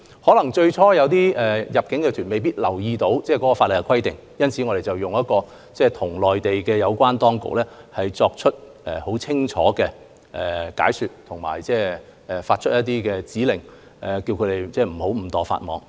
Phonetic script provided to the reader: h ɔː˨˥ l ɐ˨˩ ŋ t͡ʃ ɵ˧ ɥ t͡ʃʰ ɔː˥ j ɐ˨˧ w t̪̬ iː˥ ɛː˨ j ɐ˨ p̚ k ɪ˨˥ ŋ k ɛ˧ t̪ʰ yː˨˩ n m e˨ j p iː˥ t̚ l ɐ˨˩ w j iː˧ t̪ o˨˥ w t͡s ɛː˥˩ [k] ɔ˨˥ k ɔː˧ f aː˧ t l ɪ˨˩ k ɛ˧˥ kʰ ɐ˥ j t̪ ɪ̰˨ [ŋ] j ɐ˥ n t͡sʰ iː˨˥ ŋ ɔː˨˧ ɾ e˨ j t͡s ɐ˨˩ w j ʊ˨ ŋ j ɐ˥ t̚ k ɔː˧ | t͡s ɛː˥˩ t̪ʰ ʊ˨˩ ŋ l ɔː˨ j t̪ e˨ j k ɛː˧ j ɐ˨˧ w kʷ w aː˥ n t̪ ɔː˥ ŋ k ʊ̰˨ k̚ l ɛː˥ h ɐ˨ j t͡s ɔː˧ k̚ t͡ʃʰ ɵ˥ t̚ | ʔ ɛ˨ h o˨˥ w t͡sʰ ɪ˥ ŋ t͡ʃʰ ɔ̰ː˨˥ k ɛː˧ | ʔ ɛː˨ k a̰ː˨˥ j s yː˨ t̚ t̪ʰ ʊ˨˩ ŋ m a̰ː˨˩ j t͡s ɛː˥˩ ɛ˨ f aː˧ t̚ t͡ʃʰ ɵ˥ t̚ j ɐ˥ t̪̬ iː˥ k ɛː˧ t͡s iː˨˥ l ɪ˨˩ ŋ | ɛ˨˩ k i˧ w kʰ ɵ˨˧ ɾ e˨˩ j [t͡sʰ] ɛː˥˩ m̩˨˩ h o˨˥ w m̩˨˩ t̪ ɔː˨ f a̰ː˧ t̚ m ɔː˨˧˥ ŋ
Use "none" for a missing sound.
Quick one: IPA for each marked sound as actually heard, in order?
k, ŋ, t͡s

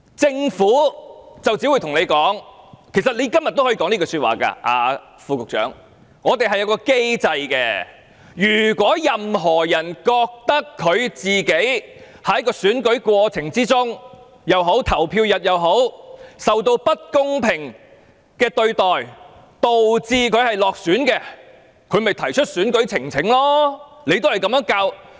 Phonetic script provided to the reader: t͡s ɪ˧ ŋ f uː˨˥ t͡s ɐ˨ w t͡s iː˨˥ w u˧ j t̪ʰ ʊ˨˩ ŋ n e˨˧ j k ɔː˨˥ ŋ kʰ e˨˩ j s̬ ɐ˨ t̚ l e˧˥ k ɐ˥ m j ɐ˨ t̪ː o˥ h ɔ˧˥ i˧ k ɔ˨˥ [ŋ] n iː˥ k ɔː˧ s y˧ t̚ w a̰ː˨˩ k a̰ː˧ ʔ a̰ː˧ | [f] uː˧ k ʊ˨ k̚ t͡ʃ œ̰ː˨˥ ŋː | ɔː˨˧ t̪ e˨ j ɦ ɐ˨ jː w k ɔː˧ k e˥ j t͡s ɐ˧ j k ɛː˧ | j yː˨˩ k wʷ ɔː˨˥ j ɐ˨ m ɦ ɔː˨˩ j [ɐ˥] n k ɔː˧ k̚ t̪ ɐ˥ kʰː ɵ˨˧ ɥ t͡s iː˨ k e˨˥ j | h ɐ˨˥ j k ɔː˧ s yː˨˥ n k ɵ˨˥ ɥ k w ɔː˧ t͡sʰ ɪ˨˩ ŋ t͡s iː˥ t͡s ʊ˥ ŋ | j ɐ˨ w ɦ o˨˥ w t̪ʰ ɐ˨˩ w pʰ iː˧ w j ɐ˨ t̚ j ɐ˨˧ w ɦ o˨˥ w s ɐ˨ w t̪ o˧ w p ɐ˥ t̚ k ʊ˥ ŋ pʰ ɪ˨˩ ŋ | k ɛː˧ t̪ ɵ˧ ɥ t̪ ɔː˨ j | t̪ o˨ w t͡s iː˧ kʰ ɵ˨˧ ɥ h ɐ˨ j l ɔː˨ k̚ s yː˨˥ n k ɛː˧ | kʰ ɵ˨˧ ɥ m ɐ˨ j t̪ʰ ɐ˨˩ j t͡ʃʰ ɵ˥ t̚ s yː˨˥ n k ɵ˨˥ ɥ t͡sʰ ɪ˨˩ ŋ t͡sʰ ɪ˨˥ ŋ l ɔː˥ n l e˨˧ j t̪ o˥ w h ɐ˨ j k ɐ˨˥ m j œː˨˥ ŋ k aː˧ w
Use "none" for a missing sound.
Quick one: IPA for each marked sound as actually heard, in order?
ŋ, f, ɐ˨˩

